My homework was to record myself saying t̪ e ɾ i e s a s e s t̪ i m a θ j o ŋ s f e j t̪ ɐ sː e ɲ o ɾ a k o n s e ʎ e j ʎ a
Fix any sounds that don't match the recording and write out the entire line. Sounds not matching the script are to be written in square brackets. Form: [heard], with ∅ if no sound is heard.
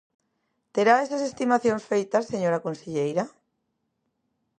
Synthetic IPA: t̪ e ɾ [a] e s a s e s t̪ i m a θ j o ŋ s f e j t̪ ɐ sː e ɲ o ɾ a k o n s e ʎ e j [ɾ] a